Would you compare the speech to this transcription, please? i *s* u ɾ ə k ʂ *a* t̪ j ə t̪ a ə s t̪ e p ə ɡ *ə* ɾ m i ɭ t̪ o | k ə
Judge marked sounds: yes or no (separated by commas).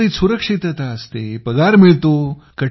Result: yes, no, no